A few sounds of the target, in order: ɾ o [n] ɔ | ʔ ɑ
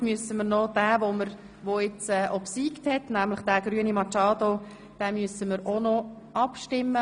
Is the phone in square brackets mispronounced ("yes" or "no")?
no